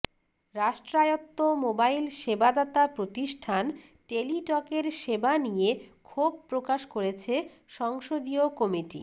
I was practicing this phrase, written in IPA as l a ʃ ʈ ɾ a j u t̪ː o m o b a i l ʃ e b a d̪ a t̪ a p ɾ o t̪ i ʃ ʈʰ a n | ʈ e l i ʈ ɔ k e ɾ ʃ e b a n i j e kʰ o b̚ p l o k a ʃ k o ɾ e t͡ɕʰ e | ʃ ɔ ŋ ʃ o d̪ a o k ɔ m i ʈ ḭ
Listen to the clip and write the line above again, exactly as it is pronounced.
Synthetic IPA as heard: ɾ a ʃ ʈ ɾ a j o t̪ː o m o b a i l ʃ e b a d̪ a t̪ a p ɾ o t̪ i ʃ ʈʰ a n | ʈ e l i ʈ ɔ k e ɾ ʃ e b a n i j e kʰ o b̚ p ɾ o k a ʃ k o ɾ e t͡ɕʰ e | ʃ ɔ ŋ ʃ o d̪ i o k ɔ m i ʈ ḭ